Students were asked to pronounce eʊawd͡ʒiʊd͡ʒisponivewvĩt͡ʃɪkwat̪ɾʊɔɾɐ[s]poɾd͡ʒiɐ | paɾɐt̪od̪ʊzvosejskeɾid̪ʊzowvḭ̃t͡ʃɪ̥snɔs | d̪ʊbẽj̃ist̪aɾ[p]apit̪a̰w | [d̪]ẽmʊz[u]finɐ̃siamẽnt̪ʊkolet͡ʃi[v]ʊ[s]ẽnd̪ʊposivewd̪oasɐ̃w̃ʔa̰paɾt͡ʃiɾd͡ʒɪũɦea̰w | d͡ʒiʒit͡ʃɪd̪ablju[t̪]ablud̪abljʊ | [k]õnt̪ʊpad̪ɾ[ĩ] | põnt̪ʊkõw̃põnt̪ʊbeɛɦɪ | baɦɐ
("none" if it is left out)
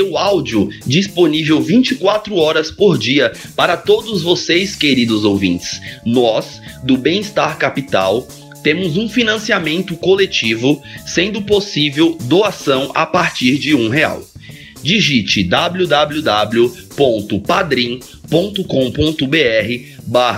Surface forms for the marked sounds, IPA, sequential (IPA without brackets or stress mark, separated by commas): s, k, t̪, ũ, v, s, d̪, p, ĩ